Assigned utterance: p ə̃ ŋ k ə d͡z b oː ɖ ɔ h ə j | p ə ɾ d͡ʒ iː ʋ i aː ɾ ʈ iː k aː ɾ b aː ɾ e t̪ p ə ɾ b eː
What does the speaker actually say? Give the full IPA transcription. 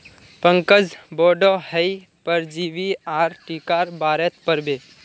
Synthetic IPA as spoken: p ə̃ ŋ k ə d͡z b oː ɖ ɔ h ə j | p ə ɾ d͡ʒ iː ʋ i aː ɾ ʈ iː k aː ɾ b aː ɾ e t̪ p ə ɾ b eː